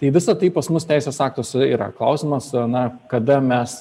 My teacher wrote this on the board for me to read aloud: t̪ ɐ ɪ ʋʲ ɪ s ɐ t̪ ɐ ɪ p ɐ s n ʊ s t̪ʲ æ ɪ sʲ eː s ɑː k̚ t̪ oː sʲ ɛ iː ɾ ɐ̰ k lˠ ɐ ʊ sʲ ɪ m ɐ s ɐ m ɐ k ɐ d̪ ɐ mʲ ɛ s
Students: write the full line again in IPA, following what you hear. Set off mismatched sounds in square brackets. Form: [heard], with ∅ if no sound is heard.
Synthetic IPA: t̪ ɐ ɪ ʋʲ ɪ s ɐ t̪ ɐ ɪ p ɐ s [m] ʊ s t̪ʲ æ ɪ sʲ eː s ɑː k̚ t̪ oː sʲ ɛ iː ɾ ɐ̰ k lˠ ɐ ʊ sʲ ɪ m ɐ s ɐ [n] ɐ k ɐ d̪ ɐ mʲ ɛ s